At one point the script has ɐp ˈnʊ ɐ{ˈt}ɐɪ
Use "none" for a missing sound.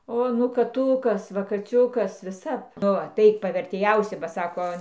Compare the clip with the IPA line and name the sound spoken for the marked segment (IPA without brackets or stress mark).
t